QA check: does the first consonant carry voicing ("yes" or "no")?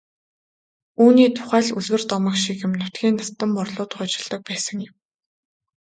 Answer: yes